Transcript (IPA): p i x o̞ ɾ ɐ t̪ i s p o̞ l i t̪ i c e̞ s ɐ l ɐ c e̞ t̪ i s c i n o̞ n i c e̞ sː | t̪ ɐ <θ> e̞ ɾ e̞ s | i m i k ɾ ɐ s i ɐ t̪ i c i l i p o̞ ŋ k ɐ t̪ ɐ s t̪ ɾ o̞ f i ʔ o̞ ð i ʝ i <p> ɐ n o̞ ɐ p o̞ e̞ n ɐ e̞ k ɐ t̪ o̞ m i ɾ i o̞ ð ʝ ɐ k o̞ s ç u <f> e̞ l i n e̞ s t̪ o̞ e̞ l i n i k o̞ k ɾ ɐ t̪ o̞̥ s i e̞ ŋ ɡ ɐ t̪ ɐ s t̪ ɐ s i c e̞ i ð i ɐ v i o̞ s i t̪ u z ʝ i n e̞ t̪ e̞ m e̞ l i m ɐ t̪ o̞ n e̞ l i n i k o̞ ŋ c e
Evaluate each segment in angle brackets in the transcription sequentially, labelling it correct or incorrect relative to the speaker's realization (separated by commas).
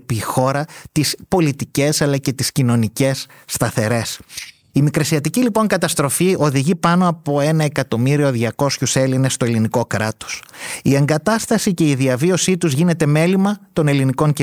correct, correct, incorrect